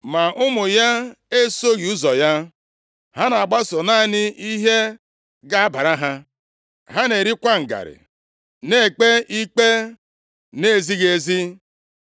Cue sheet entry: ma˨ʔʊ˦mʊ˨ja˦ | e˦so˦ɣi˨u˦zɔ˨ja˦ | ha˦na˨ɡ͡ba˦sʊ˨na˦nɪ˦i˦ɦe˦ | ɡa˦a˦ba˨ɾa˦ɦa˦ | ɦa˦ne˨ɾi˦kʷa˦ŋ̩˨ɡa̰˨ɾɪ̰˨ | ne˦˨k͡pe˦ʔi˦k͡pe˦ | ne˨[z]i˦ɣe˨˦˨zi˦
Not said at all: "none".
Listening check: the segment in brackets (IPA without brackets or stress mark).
z